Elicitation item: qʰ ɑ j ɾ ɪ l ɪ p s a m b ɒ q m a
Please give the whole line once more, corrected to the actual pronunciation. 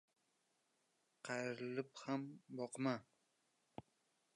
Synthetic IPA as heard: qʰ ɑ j ɾ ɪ l ɪ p h a m b ɒ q m a